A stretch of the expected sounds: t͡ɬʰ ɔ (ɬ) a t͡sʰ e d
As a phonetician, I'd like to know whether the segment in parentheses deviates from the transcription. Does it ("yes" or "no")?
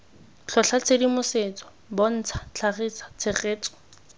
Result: no